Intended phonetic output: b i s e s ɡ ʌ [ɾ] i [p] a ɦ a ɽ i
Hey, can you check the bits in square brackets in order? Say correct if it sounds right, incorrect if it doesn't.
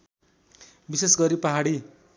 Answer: correct, correct

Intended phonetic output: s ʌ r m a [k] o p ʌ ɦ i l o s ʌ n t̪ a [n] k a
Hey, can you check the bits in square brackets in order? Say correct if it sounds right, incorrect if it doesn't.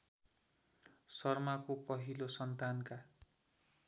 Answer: correct, correct

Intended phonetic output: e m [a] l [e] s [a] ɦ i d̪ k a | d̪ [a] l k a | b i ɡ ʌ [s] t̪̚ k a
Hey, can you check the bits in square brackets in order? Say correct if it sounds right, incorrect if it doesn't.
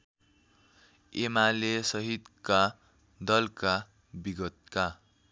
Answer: correct, correct, incorrect: ʌ, incorrect: ʌ, incorrect: none

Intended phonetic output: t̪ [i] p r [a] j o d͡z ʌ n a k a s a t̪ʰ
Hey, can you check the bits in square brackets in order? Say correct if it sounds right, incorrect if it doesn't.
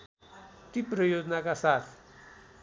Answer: correct, incorrect: ʌ

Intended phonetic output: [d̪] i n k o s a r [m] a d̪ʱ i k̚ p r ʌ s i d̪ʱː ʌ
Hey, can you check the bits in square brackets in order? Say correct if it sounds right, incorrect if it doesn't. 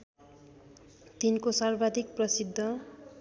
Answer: incorrect: t̪, incorrect: b

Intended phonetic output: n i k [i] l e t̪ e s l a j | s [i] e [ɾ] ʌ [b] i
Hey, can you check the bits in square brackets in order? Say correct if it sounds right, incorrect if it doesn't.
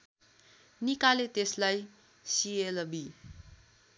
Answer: incorrect: a, correct, incorrect: l, correct

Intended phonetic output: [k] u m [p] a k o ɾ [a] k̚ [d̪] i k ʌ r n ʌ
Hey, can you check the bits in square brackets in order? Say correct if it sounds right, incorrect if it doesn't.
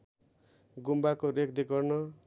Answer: incorrect: ɡ, incorrect: b, incorrect: e, correct

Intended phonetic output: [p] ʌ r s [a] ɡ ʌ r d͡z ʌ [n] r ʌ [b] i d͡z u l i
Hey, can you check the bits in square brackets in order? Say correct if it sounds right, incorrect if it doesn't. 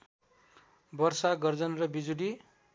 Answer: incorrect: b, correct, correct, correct

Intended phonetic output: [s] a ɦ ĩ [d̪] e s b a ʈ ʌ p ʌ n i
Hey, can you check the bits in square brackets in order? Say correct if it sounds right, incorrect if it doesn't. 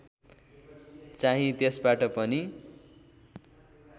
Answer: incorrect: t͡s, incorrect: t̪

